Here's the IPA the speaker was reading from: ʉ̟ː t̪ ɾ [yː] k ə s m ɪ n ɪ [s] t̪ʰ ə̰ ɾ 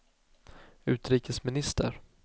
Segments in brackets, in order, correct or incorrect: incorrect: iː, correct

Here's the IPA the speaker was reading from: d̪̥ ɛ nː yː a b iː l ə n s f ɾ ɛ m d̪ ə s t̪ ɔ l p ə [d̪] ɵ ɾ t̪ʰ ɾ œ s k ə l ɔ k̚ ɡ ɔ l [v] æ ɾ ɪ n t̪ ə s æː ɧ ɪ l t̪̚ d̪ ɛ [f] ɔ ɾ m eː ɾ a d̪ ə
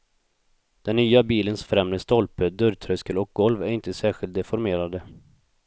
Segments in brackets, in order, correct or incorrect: correct, correct, correct

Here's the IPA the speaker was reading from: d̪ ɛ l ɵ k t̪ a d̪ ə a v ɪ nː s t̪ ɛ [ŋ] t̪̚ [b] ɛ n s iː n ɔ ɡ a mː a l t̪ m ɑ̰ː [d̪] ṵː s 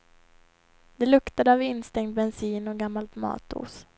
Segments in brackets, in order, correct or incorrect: correct, correct, incorrect: t̪

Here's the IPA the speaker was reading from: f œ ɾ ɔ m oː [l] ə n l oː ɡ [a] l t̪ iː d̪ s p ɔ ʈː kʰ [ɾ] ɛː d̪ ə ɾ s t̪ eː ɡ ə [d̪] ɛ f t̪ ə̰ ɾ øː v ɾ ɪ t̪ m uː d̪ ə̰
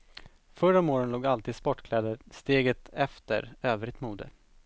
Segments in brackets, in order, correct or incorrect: incorrect: ɾ, correct, incorrect: l, incorrect: t̪

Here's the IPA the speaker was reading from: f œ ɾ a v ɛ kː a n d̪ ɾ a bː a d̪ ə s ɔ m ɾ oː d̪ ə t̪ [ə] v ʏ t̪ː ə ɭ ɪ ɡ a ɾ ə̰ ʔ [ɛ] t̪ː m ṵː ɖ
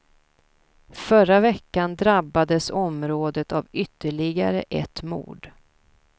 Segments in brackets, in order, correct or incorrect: incorrect: a, correct

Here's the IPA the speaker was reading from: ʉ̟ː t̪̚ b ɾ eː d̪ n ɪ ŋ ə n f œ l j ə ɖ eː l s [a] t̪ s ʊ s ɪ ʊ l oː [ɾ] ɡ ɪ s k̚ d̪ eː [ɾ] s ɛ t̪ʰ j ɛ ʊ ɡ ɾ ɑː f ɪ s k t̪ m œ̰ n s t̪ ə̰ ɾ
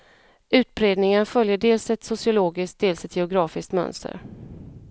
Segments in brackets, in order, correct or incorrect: incorrect: ɛ, incorrect: none, incorrect: l

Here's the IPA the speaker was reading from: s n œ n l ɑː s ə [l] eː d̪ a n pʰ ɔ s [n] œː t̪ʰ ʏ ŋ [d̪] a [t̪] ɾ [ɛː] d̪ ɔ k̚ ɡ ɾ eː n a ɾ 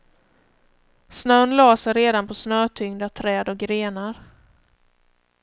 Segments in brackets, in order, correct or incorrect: incorrect: ɾ, correct, correct, incorrect: t̪ʰ, correct

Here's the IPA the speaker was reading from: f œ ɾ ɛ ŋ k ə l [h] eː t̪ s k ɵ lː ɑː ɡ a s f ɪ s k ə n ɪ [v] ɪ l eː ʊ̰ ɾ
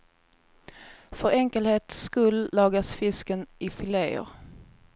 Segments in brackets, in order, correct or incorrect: correct, incorrect: f

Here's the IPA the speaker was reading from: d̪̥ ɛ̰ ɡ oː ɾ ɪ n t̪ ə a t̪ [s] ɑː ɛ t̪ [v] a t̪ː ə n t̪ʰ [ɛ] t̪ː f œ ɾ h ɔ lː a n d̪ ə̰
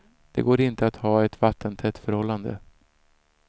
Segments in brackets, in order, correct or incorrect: incorrect: h, correct, correct

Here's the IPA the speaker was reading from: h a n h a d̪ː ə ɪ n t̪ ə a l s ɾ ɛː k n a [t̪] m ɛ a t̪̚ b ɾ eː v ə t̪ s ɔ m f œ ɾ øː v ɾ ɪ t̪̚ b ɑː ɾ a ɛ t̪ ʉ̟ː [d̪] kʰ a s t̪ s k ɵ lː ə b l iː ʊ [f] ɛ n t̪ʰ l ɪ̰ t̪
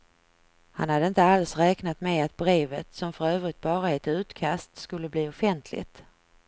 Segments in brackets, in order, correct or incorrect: correct, incorrect: t̪, correct

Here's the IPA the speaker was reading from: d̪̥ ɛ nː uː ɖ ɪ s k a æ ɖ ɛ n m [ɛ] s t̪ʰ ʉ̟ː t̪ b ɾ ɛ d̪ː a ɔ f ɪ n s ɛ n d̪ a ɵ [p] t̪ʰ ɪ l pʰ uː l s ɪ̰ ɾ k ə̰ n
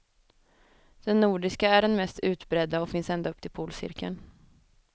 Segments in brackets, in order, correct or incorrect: correct, correct

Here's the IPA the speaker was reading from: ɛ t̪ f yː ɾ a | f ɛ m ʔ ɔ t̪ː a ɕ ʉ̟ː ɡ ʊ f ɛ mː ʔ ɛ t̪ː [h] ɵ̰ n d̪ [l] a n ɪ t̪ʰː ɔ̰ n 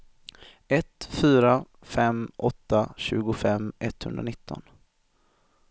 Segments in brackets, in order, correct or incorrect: correct, incorrect: ɾ

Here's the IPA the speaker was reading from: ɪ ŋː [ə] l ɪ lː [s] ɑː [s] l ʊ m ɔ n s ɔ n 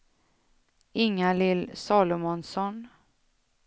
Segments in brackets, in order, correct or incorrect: incorrect: a, correct, incorrect: none

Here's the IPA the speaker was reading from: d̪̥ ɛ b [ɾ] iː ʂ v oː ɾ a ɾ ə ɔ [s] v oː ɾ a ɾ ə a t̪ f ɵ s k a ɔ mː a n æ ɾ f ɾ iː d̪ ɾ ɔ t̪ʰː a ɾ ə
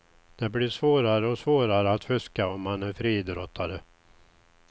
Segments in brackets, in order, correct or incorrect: incorrect: l, correct

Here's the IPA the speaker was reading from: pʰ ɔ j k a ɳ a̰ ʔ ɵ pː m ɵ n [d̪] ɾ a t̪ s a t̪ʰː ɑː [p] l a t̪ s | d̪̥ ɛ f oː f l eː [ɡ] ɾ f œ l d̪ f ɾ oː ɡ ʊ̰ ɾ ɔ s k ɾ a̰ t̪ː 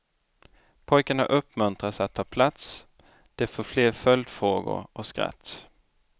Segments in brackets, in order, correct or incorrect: incorrect: t̪, incorrect: pʰ, incorrect: none

